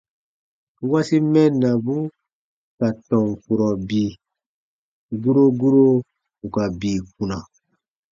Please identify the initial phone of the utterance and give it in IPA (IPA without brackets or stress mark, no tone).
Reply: w